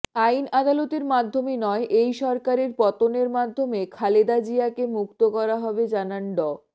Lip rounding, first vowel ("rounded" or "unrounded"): unrounded